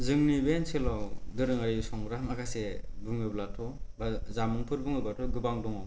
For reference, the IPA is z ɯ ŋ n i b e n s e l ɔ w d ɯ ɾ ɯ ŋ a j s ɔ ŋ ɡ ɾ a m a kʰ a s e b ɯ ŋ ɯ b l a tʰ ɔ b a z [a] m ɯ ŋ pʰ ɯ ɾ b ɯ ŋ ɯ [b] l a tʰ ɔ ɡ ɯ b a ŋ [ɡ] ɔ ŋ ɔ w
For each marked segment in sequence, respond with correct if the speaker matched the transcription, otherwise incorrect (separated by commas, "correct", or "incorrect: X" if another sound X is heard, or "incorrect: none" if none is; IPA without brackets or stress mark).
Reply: correct, correct, incorrect: d